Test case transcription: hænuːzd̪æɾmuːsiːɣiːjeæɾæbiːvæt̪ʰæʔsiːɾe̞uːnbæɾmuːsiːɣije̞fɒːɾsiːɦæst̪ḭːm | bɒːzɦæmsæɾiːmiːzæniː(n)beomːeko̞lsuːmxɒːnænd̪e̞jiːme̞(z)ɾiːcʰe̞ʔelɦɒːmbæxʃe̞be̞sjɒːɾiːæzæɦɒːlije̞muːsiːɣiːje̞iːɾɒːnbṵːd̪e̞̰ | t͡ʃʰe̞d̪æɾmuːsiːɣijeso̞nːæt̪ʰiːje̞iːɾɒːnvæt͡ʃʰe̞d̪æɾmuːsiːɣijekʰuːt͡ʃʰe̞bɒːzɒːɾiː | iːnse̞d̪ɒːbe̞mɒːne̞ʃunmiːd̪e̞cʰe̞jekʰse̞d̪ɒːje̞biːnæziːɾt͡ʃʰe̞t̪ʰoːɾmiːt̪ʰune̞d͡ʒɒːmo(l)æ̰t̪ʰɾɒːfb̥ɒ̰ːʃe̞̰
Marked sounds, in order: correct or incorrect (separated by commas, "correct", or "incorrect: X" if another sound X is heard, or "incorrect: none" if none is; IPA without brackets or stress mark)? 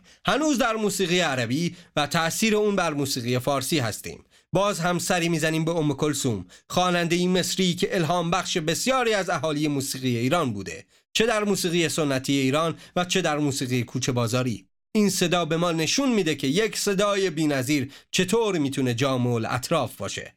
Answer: incorrect: m, incorrect: s, correct